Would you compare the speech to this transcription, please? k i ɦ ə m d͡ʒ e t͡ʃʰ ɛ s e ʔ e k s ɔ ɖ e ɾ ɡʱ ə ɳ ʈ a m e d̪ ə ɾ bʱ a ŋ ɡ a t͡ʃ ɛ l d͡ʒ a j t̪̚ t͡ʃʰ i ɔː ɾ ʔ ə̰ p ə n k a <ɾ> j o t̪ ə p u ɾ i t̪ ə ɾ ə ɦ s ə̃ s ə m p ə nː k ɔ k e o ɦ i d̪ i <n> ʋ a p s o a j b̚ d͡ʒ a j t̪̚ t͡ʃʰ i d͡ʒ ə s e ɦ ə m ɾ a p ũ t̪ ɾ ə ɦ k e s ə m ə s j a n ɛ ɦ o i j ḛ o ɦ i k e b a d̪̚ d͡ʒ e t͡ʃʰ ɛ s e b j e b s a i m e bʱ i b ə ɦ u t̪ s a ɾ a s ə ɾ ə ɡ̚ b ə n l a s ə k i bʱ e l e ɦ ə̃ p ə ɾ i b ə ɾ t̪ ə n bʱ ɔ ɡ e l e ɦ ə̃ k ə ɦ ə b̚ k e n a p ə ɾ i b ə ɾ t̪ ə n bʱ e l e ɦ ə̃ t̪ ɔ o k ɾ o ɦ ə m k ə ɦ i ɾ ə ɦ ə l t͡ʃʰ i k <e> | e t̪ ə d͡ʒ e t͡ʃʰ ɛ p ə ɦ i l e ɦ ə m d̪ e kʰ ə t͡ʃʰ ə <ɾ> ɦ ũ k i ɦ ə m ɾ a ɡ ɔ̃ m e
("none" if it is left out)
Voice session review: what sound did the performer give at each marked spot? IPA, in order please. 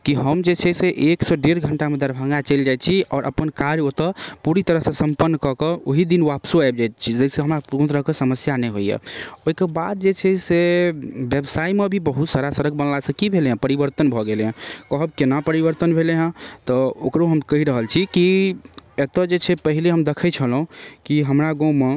ɾ, n, i, l

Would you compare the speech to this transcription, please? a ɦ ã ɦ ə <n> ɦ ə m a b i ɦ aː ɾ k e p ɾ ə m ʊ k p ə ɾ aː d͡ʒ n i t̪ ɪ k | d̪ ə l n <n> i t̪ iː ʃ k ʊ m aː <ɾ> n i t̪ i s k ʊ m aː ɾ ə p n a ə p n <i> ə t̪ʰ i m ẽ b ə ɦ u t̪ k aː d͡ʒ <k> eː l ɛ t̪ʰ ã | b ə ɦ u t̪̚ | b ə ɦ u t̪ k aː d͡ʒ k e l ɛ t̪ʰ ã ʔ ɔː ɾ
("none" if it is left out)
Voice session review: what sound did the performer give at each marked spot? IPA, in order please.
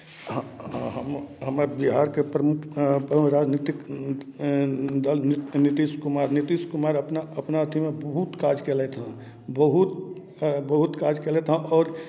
m, n, ɾ, a, k

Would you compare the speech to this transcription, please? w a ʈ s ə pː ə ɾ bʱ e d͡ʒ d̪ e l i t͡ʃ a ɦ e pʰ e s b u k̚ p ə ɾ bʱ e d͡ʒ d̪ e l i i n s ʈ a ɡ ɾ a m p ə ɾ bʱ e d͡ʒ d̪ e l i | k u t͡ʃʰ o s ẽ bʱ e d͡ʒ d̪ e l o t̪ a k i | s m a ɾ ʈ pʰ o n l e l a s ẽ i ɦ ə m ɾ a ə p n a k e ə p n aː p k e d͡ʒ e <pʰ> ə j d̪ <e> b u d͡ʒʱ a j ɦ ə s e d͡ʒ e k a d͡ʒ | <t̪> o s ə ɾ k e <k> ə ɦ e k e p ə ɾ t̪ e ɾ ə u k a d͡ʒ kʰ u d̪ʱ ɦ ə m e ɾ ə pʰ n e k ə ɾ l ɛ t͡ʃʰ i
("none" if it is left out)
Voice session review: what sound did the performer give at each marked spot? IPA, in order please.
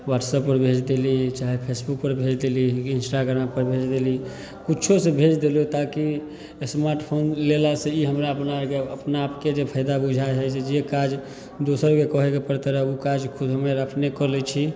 pʰ, a, d̪, k

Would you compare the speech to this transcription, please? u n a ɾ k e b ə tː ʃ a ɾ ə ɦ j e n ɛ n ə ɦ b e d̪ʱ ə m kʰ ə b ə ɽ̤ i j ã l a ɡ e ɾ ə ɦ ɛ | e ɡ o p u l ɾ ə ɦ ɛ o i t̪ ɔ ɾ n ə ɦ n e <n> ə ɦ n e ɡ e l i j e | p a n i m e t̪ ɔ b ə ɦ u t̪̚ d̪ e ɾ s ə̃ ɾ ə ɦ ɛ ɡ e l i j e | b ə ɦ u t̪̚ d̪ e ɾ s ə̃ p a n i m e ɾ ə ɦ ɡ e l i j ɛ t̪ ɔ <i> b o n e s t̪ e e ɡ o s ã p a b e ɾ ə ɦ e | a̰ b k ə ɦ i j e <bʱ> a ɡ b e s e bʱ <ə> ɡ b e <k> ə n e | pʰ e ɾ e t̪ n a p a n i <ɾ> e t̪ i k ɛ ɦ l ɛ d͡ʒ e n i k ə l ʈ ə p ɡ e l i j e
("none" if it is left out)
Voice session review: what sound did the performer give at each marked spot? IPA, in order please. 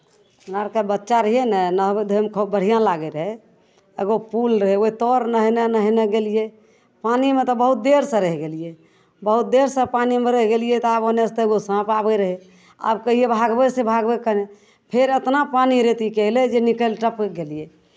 n, a, bʱ, a, k, ɾ

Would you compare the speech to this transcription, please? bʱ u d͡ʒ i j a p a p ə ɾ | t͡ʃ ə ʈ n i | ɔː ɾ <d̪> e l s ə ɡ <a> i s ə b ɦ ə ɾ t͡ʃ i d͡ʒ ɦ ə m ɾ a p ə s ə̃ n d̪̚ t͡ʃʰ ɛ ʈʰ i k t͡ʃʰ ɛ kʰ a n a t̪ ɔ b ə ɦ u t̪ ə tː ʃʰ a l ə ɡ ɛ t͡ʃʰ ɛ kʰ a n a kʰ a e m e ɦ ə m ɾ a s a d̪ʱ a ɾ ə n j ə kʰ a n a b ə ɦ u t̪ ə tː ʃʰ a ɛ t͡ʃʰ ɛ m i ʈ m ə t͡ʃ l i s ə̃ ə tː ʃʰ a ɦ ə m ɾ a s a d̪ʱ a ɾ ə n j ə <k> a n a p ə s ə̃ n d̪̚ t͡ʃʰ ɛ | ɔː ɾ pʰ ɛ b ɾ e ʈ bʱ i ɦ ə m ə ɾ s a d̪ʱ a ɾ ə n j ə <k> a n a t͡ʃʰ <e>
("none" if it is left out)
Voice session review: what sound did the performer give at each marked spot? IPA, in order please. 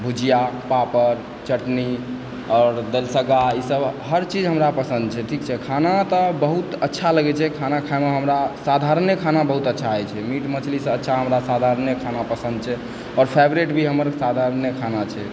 d̪, a, kʰ, kʰ, ɛ

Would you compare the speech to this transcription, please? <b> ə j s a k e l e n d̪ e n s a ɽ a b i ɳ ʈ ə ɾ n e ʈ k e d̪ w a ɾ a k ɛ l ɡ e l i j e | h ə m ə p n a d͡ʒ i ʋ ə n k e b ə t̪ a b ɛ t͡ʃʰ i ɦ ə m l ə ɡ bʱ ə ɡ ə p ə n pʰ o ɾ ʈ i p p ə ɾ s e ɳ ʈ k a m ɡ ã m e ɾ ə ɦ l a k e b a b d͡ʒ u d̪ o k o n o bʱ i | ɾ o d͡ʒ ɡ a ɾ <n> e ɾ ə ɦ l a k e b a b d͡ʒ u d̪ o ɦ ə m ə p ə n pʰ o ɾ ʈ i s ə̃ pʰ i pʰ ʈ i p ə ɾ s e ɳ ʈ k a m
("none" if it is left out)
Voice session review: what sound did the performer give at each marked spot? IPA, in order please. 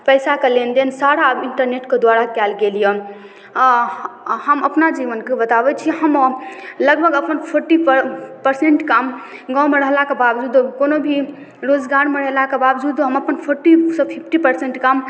p, m

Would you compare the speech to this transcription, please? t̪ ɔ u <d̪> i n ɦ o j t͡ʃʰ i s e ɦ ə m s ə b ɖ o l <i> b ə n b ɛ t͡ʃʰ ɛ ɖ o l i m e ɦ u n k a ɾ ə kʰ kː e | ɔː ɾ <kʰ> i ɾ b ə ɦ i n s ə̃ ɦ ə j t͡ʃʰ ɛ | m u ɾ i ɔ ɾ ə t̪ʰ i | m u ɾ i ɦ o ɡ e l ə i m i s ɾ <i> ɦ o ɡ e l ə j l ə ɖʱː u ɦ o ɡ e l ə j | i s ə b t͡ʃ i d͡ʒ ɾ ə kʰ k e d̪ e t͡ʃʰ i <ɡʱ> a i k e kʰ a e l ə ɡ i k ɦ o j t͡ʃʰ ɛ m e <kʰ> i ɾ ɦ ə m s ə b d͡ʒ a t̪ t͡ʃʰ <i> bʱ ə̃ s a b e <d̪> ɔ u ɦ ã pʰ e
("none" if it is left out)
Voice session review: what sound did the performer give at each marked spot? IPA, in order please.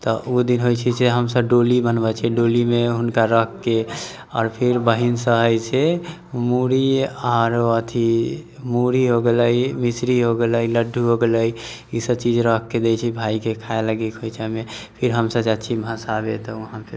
d̪, i, pʰ, i, bʱ, pʰ, i, t̪

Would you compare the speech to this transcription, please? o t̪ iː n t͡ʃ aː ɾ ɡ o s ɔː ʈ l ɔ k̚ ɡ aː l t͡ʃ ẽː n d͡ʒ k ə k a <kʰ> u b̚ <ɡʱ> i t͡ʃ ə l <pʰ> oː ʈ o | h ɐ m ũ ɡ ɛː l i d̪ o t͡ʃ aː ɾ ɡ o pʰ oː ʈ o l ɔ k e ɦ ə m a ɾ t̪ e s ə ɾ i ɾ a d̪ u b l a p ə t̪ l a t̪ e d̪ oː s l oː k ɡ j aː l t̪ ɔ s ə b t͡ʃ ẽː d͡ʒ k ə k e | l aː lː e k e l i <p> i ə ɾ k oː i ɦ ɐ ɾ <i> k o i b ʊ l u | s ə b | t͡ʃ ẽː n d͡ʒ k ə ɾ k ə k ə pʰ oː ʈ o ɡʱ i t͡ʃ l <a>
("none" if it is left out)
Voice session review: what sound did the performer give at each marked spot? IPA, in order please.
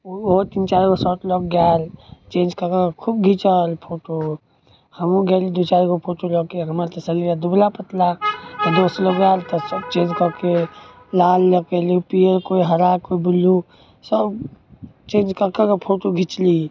kʰ, ɡʱ, pʰ, p, a, i

